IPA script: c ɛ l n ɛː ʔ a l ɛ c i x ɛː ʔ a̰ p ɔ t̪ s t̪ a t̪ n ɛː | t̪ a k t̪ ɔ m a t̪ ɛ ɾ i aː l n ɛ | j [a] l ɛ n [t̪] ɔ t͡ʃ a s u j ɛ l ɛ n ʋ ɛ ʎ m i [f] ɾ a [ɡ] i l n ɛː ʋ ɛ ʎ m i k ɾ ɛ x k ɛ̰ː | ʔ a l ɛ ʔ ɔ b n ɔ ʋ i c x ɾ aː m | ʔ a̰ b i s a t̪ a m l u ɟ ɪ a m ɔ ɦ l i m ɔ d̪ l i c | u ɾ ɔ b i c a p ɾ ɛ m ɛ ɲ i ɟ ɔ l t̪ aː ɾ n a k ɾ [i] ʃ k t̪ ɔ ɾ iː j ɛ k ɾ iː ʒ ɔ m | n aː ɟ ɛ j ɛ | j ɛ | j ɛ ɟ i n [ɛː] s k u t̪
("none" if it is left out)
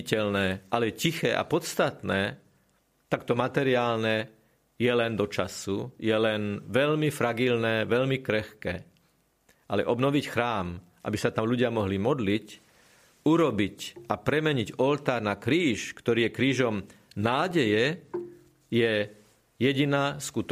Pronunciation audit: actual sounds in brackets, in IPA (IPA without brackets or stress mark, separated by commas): ɛ, d̪, f, ɡ, iː, aː